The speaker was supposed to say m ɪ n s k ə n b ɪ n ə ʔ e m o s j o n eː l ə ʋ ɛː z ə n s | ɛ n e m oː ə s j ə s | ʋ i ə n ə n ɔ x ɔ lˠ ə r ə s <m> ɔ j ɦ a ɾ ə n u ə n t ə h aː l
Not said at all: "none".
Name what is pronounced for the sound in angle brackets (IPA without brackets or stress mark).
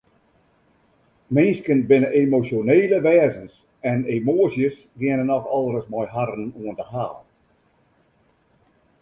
m